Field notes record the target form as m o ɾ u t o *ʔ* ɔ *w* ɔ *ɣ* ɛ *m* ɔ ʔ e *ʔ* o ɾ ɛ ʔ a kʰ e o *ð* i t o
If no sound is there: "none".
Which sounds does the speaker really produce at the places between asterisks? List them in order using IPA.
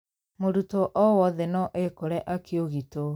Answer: ʔ, w, ð, n, k, ɣ

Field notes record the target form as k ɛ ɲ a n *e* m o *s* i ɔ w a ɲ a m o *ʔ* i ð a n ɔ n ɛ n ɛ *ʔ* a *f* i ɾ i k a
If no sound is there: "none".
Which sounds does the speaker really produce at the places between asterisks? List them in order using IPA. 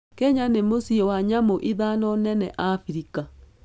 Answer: e, s, ʔ, ʔ, f

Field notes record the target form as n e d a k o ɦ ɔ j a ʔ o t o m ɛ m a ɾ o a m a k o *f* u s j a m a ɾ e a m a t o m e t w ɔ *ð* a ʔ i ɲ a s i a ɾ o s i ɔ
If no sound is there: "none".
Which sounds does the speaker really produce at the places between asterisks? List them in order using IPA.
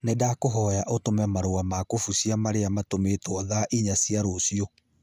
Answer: f, ð

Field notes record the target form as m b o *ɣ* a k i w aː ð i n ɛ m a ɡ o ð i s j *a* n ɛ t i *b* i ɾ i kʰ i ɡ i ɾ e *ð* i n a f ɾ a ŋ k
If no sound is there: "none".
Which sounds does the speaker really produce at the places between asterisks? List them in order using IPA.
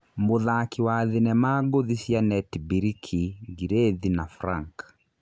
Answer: ð, a, b, ð

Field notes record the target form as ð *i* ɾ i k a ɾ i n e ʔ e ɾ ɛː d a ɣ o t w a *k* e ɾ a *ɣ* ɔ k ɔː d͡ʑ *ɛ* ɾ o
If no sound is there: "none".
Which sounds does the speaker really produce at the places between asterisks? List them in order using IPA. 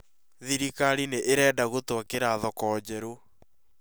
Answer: i, k, ð, ɛ

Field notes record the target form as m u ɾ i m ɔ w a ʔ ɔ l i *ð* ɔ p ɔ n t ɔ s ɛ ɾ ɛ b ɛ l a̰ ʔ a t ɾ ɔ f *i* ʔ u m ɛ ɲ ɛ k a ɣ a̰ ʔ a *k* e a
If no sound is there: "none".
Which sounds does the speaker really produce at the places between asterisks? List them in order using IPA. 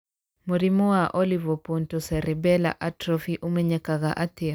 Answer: v, i, t

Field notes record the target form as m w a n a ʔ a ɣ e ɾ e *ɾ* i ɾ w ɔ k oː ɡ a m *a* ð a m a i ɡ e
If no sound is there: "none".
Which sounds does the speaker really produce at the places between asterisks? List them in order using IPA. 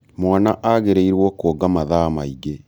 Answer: none, a

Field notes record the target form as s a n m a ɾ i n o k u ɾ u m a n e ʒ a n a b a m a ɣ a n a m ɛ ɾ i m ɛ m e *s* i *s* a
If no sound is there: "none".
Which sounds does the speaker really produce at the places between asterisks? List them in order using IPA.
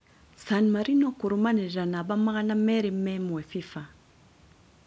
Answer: f, f

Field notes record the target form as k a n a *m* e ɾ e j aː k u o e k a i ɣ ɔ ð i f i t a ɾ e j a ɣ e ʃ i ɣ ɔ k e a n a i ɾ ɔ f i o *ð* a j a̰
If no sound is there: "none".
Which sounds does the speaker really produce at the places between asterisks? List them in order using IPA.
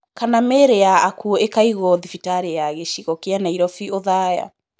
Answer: m, ð

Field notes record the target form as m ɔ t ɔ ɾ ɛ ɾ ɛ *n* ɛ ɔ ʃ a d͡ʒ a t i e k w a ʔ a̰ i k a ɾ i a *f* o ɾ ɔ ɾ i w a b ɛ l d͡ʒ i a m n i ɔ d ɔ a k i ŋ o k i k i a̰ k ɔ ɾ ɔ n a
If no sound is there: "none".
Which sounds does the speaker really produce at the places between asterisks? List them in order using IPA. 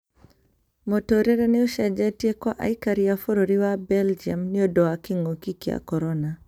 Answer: n, f

